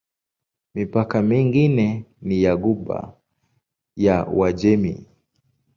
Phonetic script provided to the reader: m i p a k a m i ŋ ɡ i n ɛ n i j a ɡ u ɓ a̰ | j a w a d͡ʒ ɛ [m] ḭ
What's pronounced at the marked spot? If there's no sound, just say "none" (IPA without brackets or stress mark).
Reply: m